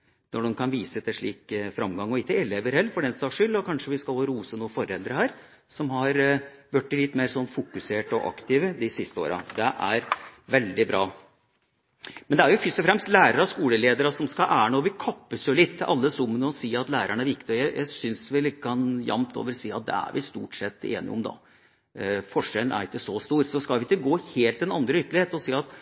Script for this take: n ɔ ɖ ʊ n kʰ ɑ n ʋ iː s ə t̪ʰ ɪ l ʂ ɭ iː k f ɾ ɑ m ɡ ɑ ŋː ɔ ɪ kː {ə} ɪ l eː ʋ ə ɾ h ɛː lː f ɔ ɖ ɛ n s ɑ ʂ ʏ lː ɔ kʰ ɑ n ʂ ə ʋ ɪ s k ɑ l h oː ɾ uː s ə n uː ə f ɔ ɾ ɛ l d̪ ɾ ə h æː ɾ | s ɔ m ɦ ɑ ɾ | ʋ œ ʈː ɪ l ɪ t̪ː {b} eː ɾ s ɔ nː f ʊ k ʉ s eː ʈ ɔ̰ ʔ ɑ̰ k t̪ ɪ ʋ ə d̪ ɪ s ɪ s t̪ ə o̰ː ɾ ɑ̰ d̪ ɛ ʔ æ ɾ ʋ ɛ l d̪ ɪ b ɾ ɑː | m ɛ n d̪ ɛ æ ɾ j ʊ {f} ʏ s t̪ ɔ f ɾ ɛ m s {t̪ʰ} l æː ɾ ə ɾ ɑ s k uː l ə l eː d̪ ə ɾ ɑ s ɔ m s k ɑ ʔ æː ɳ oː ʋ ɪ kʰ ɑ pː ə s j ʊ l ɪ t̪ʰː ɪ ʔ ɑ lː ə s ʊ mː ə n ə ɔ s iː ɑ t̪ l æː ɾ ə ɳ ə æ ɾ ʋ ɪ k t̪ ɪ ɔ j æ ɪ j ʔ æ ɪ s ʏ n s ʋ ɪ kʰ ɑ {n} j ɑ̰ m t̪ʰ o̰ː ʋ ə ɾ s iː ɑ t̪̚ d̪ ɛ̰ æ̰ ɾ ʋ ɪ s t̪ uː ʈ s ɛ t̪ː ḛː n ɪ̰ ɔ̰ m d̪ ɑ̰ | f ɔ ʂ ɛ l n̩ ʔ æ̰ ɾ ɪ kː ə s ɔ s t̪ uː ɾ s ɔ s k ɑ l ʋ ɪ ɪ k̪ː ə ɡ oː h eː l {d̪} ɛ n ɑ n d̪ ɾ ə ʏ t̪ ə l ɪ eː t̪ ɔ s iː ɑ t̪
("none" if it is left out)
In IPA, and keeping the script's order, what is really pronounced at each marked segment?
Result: ə, m, f, t̪, n, t̪

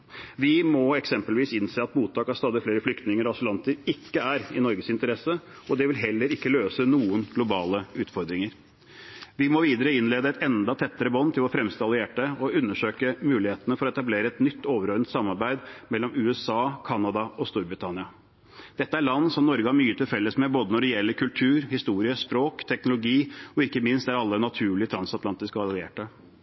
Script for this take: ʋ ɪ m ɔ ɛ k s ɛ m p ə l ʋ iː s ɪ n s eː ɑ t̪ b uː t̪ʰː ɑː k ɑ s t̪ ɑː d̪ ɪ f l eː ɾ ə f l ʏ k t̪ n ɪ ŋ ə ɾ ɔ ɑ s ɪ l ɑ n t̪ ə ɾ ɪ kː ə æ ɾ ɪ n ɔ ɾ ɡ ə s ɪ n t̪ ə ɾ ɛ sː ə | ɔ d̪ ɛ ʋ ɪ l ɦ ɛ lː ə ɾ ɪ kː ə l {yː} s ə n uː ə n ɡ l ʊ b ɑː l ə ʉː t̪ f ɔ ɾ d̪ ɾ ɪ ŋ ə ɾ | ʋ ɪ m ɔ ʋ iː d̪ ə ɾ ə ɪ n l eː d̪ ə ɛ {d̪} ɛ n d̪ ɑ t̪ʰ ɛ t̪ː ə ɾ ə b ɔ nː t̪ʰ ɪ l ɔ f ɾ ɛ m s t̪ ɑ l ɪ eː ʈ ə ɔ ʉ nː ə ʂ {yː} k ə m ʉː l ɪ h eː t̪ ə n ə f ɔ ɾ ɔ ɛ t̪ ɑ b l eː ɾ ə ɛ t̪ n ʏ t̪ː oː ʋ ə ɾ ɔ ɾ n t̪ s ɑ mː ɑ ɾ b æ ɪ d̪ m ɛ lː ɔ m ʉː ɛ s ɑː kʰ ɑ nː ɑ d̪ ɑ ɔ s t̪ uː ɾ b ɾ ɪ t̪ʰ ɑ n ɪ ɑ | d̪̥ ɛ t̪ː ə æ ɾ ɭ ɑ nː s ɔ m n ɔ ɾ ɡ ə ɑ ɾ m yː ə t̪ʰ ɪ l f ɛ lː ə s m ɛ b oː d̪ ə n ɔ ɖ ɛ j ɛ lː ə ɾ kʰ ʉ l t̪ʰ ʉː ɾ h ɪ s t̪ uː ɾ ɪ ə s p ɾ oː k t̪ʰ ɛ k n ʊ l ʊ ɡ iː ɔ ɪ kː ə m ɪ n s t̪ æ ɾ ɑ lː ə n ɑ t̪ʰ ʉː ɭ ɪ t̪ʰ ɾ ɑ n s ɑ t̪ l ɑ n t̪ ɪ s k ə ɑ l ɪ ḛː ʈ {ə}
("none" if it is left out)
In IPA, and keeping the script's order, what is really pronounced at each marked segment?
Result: øː, t̪, øː, ə

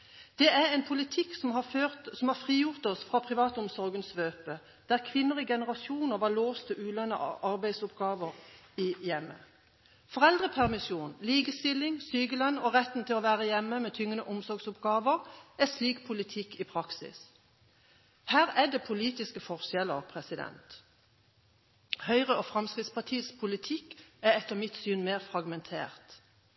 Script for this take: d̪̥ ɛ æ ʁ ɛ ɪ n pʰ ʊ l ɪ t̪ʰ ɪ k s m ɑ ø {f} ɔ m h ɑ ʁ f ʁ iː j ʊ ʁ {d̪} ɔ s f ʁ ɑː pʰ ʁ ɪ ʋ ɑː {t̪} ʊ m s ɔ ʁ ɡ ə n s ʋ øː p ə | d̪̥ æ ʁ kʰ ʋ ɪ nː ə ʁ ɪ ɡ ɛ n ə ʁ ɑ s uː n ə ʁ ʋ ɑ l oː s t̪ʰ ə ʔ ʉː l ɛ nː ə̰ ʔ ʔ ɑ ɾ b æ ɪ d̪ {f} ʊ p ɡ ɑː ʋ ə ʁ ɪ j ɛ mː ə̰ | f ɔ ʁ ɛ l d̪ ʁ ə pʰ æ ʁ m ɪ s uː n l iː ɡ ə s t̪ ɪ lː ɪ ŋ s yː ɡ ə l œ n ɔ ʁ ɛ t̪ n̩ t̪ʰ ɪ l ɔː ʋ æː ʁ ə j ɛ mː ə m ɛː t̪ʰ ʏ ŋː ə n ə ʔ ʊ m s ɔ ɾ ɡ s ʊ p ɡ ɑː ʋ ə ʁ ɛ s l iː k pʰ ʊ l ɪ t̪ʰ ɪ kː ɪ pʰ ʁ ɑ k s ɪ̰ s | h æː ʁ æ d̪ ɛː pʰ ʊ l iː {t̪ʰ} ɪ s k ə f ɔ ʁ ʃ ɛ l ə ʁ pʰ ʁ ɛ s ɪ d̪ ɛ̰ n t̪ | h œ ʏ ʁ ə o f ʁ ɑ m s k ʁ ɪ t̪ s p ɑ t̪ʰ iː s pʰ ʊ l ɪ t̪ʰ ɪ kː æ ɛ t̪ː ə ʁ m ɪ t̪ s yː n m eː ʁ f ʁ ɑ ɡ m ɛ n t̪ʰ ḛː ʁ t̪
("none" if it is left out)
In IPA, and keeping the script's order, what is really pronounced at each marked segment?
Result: s, t̪, t̪, s, t̪

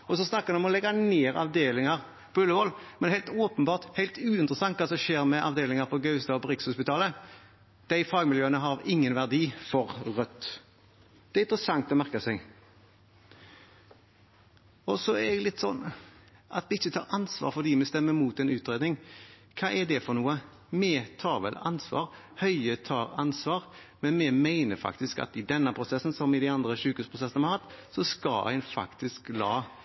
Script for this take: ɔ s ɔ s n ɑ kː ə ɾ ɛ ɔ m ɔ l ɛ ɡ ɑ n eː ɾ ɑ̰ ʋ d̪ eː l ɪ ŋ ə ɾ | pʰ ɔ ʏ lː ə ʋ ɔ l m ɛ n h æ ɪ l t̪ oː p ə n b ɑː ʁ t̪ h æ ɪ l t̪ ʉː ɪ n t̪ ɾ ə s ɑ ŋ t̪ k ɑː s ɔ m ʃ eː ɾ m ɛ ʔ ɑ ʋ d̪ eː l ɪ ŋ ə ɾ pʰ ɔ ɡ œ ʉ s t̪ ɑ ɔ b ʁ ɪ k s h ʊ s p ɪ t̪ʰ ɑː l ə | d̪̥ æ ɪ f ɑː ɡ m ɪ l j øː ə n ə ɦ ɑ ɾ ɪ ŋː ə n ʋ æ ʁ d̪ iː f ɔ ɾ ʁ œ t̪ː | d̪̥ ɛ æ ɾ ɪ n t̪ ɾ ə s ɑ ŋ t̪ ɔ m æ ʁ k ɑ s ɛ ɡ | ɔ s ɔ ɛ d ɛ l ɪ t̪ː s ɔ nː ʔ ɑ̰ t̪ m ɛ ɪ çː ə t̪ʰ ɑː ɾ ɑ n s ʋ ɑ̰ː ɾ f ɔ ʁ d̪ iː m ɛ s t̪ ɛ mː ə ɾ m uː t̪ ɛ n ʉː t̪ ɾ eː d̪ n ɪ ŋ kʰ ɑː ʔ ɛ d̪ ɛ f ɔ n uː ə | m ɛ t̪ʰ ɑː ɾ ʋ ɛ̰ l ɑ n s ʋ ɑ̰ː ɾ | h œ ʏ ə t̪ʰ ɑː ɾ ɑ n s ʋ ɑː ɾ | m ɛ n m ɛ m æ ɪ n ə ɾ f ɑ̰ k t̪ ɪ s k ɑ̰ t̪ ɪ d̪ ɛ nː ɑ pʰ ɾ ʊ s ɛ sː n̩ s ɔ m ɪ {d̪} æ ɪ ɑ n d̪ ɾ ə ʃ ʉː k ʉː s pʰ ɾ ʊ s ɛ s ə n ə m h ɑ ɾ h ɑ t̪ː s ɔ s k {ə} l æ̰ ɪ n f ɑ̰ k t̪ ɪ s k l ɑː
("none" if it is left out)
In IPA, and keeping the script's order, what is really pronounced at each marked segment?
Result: d̪, ɑ

